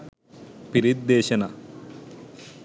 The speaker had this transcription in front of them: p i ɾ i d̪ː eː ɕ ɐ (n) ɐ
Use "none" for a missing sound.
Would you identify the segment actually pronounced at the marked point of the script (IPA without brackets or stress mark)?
n